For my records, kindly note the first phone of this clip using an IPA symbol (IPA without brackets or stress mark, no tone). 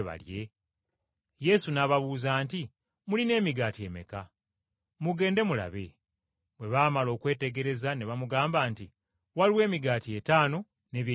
β